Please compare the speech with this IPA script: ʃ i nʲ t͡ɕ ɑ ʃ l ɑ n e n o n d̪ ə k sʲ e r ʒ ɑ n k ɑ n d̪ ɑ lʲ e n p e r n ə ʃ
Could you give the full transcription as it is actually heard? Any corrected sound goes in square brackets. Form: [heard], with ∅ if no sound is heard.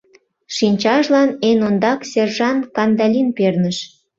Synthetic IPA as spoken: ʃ i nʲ t͡ɕ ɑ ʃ l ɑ n e n o n d̪ [ɑ] k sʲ e r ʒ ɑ n k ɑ n d̪ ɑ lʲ [i] n p e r n ə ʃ